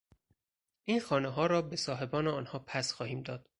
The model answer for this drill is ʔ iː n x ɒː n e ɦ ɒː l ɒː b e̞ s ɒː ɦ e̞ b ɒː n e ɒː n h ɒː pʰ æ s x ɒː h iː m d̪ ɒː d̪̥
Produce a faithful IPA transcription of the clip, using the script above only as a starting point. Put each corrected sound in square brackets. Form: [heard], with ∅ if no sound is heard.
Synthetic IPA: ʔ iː n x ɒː n e ɦ ɒː [ɾ] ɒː b e̞ s ɒː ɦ e̞ b ɒː n e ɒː n h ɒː pʰ æ s x ɒː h iː m d̪ ɒː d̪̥